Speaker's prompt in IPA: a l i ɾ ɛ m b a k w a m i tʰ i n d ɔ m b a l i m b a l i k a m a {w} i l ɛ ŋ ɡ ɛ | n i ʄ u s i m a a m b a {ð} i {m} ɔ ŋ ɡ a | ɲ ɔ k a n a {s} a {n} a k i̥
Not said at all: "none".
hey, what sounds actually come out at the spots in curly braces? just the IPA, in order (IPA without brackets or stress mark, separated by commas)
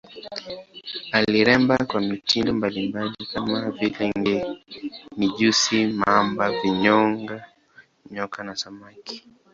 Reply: v, v, ɲ, s, m